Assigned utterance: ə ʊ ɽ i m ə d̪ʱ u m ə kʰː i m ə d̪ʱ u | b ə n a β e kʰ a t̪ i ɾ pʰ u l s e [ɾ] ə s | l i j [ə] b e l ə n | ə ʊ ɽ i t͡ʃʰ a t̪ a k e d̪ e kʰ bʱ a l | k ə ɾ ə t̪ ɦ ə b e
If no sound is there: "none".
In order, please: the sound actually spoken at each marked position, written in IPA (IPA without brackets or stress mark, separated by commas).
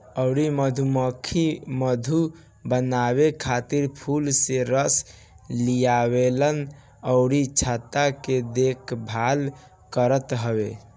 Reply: ɾ, a